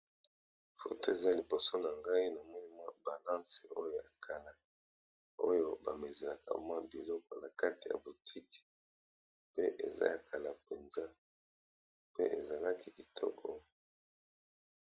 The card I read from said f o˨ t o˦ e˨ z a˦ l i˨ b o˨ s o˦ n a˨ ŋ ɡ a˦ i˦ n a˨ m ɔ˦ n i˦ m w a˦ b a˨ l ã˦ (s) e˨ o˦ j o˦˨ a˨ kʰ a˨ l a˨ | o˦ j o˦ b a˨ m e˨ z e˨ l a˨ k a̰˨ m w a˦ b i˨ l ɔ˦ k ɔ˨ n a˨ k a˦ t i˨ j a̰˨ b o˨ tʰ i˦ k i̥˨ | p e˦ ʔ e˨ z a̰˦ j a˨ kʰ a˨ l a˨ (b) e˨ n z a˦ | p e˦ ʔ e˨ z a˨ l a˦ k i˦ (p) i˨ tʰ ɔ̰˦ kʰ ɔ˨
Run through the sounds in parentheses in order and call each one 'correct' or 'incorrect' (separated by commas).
correct, incorrect, incorrect